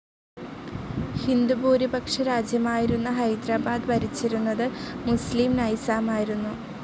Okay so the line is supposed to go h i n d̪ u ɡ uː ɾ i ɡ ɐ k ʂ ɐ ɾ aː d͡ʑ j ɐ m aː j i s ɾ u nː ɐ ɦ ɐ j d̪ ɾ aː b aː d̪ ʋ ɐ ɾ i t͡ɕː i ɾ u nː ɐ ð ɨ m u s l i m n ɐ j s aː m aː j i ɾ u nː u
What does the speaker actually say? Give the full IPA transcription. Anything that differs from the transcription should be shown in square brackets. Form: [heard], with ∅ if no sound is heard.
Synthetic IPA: h i n d̪ u [b] uː ɾ i [b] ɐ k ʂ ɐ ɾ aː d͡ʑ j ɐ m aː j i [∅] ɾ u nː ɐ ɦ ɐ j d̪ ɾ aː b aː d̪ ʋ ɐ ɾ i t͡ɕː i ɾ u nː ɐ ð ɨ m u s l i m n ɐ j s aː m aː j i ɾ u nː u